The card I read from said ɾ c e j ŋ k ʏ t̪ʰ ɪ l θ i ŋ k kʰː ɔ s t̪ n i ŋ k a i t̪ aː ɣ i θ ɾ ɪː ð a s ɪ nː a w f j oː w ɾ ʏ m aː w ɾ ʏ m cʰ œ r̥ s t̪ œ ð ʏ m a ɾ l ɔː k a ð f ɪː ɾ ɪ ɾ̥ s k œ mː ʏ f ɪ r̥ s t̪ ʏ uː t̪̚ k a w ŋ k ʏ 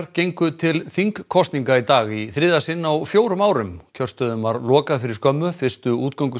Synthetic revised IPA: ɾ c e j ŋ k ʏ t̪ʰ ɪ l θ i ŋ k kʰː ɔ s t̪ n i ŋ k a i t̪ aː ɣ i θ ɾ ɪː ð a s ɪ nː a w f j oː w ɾ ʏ m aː w ɾ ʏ m cʰ œ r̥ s t̪ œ ð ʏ m a ɾ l ɔː k a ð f ɪ ɾ ɪ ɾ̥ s k œ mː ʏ f ɪ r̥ s t̪ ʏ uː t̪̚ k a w ŋ k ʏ